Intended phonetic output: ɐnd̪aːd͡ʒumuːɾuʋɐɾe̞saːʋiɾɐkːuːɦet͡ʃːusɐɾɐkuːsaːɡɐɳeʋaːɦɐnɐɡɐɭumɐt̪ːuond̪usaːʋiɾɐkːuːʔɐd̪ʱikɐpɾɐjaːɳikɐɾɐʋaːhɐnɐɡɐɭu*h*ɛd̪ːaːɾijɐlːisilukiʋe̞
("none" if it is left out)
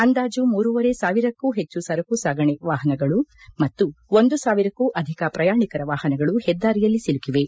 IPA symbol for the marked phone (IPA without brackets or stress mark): h